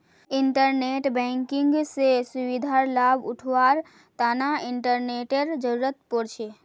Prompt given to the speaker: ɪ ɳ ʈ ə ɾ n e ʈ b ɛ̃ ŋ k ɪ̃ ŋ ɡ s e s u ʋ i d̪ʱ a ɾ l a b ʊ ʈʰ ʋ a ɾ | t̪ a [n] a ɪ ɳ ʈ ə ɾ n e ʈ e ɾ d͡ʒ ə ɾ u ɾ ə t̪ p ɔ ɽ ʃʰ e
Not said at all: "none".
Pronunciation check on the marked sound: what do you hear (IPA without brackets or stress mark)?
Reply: n